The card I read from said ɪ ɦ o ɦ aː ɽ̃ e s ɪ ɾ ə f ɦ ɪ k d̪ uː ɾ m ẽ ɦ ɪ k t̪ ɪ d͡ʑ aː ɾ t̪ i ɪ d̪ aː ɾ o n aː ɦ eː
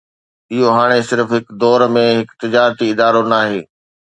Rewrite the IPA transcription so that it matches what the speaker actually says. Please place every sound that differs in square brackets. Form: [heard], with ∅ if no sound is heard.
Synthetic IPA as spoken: ɪ ɦ o ɦ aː ɽ̃ e s ɪ ɾ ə f ɦ ɪ k d̪ [ɔː] ɾ m ẽ ɦ ɪ k t̪ ɪ d͡ʑ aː ɾ t̪ i ɪ d̪ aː ɾ o n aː ɦ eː